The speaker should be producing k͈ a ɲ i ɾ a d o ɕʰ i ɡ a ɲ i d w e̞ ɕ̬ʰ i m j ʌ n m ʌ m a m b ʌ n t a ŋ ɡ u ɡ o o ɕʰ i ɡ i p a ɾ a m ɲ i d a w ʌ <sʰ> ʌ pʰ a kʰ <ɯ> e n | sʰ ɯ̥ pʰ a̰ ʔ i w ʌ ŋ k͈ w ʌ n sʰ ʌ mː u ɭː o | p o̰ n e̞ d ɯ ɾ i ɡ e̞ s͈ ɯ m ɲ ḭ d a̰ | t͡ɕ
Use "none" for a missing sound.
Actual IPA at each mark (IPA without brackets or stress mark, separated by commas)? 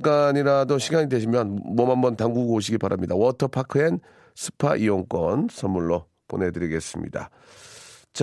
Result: tʰ, ɯ